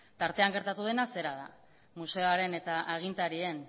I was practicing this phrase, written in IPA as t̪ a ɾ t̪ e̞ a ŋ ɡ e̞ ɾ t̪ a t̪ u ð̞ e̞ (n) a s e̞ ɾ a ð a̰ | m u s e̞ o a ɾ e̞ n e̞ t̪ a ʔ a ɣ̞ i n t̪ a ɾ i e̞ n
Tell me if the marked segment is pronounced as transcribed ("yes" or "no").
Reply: yes